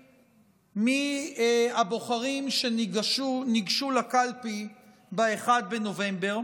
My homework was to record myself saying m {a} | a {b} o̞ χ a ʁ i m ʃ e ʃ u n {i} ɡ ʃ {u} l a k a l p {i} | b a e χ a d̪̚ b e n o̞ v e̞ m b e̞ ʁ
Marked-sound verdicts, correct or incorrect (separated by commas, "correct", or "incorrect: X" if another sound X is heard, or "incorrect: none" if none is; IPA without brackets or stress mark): incorrect: i, correct, correct, correct, correct